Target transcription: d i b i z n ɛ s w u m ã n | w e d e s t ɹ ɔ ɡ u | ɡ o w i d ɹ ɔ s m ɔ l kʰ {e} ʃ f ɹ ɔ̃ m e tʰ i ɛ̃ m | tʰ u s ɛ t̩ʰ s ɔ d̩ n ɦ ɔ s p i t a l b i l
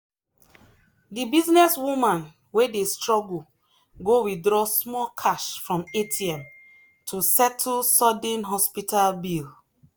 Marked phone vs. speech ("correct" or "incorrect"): incorrect